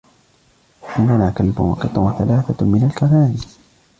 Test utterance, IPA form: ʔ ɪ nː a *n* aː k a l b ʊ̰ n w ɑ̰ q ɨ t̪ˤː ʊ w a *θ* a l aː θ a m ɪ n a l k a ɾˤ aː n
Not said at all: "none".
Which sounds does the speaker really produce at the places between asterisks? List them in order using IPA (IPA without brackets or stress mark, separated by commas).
n, θ